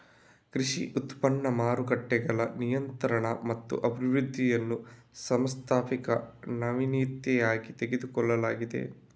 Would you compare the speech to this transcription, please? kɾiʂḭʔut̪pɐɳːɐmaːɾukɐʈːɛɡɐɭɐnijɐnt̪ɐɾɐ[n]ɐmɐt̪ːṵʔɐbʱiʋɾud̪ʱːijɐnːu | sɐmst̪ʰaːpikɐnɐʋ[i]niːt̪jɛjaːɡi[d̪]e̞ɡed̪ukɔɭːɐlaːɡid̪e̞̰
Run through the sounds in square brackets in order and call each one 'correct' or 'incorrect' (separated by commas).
incorrect, correct, incorrect